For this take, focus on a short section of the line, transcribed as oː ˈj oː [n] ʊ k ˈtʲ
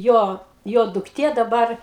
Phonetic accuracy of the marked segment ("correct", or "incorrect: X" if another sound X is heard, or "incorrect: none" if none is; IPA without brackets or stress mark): incorrect: d